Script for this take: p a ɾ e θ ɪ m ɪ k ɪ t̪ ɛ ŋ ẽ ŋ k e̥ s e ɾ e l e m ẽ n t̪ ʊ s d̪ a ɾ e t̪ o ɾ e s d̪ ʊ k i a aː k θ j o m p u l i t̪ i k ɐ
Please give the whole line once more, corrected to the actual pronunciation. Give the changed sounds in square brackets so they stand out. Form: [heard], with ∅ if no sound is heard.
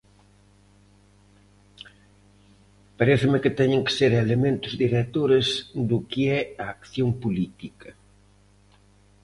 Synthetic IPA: p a ɾ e θ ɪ m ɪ k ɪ t̪ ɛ [ɲ] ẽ ŋ k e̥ s e ɾ e l e m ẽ n t̪ ʊ [z] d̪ [i] ɾ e t̪ o ɾ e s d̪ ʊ k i [ɛ] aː k θ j o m p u l i t̪ i k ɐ